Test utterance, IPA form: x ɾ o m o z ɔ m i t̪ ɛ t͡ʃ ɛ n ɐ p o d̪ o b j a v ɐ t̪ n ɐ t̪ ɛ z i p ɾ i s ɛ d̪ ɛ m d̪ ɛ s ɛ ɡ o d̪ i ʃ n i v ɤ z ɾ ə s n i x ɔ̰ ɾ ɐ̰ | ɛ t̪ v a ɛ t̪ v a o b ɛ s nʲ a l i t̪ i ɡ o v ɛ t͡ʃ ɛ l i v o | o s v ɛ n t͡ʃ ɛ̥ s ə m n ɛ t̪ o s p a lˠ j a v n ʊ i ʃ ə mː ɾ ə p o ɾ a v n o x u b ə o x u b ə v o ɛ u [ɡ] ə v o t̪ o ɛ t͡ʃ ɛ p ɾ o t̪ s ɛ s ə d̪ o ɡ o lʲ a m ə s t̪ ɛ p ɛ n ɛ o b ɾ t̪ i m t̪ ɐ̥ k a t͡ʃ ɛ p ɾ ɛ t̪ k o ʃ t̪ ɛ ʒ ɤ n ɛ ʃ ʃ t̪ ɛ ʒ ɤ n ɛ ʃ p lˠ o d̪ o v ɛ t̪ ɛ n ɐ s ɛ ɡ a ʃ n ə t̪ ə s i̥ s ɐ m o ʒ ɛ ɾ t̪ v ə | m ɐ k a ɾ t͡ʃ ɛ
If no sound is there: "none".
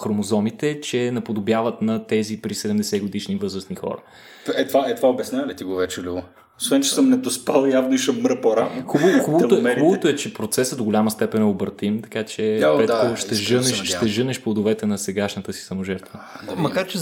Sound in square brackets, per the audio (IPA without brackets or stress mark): b